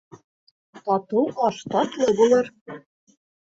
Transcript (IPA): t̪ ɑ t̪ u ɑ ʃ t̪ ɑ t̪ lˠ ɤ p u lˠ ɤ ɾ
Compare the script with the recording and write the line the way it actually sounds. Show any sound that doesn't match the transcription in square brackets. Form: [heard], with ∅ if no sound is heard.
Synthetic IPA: t̪ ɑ t̪ u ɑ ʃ t̪ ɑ t̪ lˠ ɤ [b] u lˠ ɤ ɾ